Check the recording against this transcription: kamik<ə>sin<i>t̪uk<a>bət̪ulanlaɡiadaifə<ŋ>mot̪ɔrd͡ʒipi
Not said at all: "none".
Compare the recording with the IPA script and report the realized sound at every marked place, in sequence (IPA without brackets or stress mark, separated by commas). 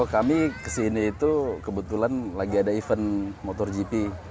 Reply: ə, iː, ə, n